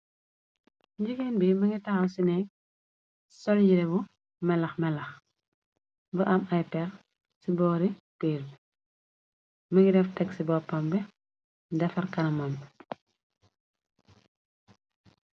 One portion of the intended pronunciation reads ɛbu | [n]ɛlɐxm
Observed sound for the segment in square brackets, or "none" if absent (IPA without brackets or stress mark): m